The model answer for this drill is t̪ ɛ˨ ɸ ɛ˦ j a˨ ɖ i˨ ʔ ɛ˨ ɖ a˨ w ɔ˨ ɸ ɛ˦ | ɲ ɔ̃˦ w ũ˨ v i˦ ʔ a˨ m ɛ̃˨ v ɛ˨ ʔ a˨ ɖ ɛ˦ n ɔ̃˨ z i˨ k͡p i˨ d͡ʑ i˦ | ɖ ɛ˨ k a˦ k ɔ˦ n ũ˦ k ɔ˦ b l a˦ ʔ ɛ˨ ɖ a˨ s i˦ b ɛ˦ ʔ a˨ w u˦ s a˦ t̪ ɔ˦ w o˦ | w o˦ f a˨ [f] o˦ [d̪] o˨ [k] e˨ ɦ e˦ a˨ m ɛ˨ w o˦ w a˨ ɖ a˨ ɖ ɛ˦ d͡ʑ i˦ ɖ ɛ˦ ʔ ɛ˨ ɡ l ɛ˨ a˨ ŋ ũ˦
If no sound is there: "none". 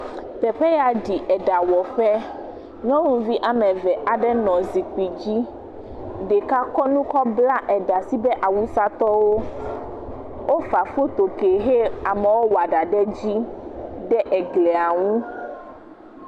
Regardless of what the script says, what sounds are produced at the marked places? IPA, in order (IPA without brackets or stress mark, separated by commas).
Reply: f, t̪, k